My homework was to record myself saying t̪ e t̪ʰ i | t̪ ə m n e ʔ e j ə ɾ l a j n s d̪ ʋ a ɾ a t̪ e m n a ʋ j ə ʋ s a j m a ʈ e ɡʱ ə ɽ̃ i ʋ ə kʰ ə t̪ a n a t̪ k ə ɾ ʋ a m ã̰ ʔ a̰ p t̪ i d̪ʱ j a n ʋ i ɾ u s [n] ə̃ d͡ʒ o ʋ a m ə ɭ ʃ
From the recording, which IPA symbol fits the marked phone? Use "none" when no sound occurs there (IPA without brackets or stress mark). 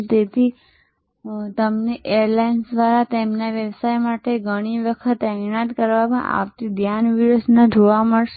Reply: n